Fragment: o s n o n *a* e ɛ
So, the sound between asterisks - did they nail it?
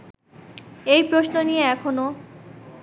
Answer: no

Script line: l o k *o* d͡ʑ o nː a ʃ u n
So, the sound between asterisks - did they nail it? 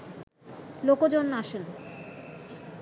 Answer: yes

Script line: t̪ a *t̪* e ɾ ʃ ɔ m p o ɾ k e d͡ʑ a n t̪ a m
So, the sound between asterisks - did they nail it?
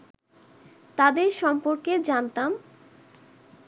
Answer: no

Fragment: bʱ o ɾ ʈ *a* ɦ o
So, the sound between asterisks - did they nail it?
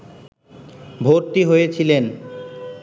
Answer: no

